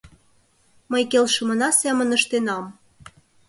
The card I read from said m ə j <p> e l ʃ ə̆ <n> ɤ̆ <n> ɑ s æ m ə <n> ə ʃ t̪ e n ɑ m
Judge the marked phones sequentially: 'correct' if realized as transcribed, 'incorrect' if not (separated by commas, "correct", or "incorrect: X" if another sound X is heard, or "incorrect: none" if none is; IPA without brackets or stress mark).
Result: incorrect: k, incorrect: m, correct, correct